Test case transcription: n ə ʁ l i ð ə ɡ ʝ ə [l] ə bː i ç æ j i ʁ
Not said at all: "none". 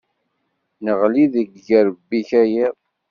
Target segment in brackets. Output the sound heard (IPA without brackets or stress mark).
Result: ɾ